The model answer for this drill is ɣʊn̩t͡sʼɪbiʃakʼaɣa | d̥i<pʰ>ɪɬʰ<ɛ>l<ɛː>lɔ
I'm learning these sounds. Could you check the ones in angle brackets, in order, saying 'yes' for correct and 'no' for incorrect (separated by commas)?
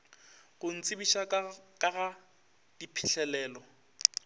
yes, yes, yes